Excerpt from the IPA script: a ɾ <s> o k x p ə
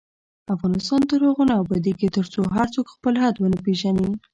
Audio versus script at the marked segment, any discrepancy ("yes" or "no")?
yes